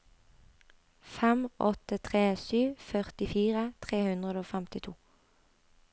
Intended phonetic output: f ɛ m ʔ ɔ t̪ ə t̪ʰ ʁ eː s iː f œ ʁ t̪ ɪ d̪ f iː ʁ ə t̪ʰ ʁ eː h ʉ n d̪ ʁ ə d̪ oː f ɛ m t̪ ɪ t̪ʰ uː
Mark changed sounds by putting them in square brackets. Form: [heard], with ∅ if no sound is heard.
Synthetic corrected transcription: f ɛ m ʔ ɔ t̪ ə t̪ʰ ʁ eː s [yː] f œ ʁ t̪ ɪ [∅] f iː ʁ ə t̪ʰ ʁ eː h ʉ n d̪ ʁ ə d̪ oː f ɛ m t̪ ɪ t̪ʰ uː